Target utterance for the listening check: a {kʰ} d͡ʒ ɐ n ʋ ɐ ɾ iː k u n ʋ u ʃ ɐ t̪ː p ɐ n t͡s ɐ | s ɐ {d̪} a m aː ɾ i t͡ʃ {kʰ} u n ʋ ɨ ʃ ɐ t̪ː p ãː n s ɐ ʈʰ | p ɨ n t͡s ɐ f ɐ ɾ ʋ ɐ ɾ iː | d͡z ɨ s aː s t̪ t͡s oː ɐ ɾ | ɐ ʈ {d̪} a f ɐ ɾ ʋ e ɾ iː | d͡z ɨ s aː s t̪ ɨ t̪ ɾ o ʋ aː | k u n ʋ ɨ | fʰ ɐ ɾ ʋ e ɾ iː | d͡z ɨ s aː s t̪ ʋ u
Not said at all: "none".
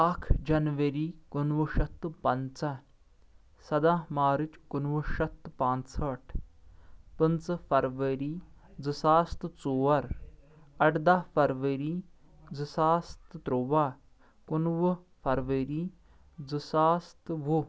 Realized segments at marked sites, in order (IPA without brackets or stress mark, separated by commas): kʰ, d̪, k, d̪